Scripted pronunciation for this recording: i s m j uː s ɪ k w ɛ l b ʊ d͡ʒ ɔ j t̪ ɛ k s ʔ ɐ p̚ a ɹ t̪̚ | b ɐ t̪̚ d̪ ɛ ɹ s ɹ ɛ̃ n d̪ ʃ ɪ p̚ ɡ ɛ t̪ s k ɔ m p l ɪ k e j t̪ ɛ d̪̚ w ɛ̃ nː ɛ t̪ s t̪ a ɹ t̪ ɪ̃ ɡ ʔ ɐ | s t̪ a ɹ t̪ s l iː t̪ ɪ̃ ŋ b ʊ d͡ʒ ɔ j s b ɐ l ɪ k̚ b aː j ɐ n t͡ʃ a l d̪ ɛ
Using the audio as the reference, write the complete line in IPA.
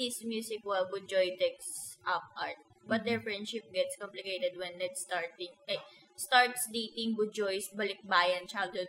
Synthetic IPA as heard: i s m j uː s ɪ k w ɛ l b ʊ d͡ʒ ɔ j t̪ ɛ k s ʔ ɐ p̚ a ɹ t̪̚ | b ɐ t̪̚ d̪ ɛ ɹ f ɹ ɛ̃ n d̪ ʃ ɪ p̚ ɡ ɛ t̪ s k ɔ m p l ɪ k e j t̪ ɛ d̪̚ w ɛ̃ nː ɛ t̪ s t̪ a ɹ t̪ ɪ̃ ŋ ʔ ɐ | s t̪ a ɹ t̪ s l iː t̪ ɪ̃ ŋ b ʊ d͡ʒ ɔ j s b ɐ l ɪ k̚ b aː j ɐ n t͡ʃ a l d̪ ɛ